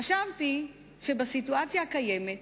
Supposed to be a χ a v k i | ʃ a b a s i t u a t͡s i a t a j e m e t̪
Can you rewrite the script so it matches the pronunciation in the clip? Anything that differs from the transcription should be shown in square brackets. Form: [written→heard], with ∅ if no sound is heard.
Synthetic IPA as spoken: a [χ→ʃ] a v [k→t] i | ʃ [a→e] b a s i t u a t͡s [i→j] a [t→k] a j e m e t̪